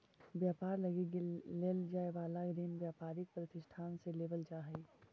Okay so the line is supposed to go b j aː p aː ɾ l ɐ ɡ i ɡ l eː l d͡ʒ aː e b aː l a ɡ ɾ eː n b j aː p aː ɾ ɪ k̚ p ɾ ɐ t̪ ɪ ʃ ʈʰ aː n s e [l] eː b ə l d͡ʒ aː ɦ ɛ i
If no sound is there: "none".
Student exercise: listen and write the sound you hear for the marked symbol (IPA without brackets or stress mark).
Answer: l